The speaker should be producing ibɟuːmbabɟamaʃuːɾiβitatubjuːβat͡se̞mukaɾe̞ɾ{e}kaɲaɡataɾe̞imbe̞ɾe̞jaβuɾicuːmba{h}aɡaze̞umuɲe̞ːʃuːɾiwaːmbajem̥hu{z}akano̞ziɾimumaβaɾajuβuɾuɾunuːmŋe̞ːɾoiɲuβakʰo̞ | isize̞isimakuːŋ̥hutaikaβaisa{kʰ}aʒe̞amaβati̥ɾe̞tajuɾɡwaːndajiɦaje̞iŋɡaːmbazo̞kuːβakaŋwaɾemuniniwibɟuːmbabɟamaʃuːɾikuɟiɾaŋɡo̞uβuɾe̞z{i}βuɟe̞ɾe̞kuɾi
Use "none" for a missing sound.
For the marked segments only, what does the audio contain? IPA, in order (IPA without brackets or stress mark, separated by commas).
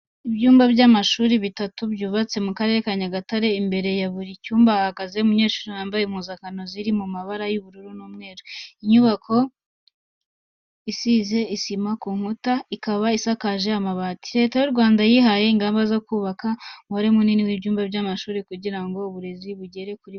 e, h, z, k, i